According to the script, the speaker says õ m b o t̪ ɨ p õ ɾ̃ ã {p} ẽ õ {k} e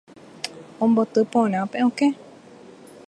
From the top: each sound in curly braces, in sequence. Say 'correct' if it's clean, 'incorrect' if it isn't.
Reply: correct, correct

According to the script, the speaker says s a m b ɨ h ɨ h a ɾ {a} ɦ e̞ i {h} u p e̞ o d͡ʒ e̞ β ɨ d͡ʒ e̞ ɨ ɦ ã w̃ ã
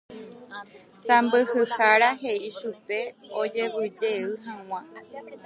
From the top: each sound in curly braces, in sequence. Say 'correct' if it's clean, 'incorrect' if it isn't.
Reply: correct, incorrect

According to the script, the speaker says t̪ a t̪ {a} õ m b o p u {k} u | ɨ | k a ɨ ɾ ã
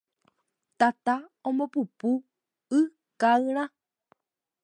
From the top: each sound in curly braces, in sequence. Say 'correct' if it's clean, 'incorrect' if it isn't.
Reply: correct, incorrect

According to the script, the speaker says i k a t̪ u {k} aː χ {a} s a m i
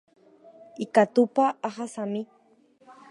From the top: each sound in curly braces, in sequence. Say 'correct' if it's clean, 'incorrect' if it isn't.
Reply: incorrect, correct

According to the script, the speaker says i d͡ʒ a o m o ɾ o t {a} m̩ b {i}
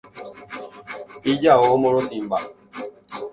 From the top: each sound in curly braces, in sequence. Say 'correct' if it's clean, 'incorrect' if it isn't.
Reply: incorrect, incorrect

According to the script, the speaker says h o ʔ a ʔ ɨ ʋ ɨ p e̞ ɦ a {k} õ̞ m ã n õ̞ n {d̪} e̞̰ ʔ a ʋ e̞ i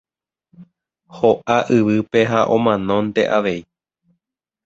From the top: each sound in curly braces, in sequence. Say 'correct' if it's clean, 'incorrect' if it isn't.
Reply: incorrect, incorrect

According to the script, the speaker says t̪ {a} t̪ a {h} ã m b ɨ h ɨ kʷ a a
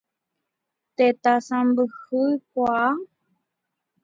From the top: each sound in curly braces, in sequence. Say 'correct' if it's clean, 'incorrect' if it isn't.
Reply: incorrect, incorrect

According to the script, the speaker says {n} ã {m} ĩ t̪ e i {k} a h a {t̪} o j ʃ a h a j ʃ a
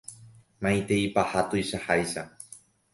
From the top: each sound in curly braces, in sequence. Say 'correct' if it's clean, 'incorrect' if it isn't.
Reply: incorrect, incorrect, incorrect, correct

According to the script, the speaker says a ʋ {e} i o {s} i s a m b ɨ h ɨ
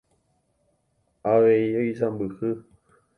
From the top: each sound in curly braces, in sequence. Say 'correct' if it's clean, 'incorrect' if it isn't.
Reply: correct, incorrect

